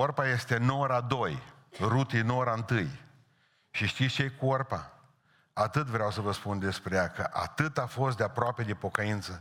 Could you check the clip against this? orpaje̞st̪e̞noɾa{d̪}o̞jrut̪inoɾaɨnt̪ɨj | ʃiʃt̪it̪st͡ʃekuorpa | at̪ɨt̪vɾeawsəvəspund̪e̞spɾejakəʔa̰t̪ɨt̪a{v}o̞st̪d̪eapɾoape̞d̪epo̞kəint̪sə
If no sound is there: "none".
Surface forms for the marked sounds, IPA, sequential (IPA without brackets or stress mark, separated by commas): d̪, f